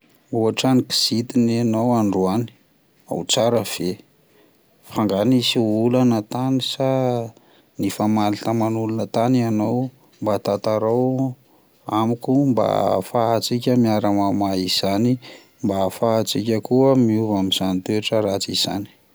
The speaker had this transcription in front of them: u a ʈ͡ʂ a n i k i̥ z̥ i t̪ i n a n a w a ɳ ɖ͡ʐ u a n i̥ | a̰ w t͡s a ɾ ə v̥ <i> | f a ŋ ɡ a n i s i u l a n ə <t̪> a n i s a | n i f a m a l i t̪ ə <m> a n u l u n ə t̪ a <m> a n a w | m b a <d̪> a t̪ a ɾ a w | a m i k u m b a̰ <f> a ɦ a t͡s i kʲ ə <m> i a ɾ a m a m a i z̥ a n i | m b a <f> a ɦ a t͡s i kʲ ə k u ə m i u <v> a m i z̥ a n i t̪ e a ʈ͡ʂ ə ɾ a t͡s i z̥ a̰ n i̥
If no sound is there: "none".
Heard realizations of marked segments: e, t̪, m, n, t̪, f, m, f, v

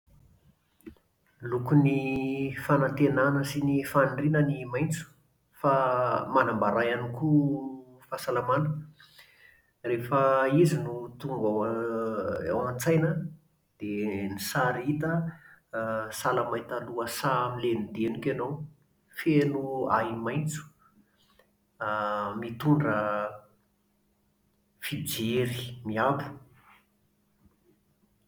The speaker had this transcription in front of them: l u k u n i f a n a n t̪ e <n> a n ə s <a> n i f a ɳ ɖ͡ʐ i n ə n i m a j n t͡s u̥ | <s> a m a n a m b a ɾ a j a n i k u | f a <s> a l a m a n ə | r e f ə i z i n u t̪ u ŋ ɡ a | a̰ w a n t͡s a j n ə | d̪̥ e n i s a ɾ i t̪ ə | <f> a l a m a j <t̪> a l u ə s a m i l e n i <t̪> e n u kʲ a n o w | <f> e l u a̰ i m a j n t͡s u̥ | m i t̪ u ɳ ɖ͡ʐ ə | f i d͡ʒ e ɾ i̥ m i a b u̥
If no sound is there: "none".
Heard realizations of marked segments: n, i, f, s, s, t̪, d̪, f

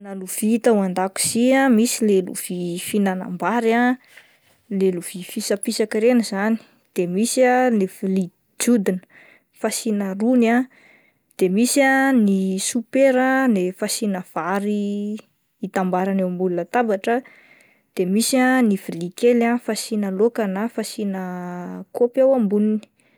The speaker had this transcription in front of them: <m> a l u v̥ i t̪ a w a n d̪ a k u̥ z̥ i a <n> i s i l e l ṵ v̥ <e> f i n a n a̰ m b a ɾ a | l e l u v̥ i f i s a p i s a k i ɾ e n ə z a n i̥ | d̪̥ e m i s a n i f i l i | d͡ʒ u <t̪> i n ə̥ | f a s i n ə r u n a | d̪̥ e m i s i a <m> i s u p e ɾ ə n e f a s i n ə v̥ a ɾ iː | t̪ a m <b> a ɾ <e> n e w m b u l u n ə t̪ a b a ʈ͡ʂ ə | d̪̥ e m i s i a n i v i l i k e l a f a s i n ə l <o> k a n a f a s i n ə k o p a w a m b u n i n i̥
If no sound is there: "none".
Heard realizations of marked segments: n, m, i, d̪, n, b, a, o

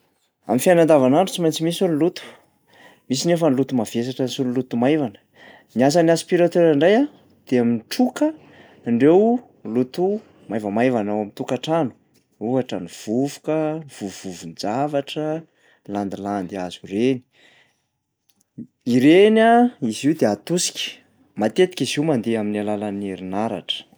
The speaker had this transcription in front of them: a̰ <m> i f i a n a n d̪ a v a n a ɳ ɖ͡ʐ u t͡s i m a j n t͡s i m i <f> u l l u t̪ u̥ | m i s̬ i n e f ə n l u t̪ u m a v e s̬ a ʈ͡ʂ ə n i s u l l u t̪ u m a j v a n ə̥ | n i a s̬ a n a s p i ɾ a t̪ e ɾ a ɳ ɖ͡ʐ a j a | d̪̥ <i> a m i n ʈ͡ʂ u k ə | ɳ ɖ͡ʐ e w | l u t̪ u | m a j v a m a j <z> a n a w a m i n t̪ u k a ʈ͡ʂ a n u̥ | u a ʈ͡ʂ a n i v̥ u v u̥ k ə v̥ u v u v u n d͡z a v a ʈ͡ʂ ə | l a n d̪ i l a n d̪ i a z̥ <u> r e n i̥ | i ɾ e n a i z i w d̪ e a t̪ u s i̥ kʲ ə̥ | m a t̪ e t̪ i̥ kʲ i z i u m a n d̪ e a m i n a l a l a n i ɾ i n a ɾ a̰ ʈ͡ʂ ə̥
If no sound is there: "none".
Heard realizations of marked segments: m, s, e, v, u

